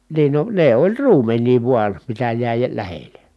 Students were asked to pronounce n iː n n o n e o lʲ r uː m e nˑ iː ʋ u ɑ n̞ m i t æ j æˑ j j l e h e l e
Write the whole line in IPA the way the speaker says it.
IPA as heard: n iː n n o n e o lʲ r uː m e nˑ iː ʋ u ɑ n̞ m i t æ j æˑ i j l æ h e l e